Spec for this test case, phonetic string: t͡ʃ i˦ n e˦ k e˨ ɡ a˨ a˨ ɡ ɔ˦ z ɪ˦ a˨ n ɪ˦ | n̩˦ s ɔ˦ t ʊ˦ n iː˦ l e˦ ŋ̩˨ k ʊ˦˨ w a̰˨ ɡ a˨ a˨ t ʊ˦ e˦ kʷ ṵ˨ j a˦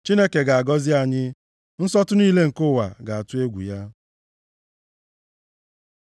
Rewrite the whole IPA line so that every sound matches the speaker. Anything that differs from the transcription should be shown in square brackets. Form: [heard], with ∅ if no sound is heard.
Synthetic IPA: t͡ʃ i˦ n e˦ k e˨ ɡ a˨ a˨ ɡ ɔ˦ z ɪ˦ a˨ [ɲ] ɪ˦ | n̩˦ s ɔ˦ t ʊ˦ n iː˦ l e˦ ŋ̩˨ k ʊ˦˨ w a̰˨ ɡ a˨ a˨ t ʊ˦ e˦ [ɡʷ] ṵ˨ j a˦